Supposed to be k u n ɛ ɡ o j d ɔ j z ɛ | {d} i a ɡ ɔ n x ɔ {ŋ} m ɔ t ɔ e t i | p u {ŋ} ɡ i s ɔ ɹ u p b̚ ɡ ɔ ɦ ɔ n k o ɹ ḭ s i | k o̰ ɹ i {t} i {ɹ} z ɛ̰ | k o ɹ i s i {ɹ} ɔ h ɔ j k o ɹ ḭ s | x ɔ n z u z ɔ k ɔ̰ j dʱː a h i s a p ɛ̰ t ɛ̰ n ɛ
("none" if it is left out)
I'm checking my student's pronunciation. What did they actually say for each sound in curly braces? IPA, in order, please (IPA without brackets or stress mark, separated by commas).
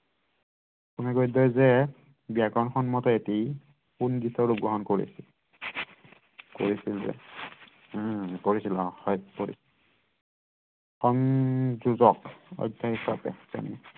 b, n, n, s, l, l